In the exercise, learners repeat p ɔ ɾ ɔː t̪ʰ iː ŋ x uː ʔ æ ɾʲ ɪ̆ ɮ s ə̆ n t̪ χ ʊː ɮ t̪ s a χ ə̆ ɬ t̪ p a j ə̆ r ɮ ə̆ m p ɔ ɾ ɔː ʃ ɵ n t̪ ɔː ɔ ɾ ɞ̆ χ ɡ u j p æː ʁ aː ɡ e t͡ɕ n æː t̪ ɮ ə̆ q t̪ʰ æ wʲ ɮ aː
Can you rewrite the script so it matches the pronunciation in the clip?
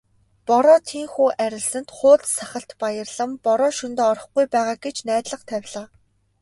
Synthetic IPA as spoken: p ɔ ɾ ɔː t̪ʰ iː ŋ x uː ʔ æ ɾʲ ɪ̆ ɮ s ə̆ n t̪ χ ʊː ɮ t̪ s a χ ə̆ ɬ t̪ p a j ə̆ r ɮ ə̆ m p ɔ ɾ ɔː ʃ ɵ n t̪ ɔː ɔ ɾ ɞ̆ χ ɡ u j p æː ʁ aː ɡ e t͡ɕ n æː t̪ ɮ ə̆ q t̪ʰ æ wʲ ɮ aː